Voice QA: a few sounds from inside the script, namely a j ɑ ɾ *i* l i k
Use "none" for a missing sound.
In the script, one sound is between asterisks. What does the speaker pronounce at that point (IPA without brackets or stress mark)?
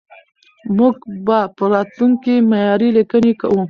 i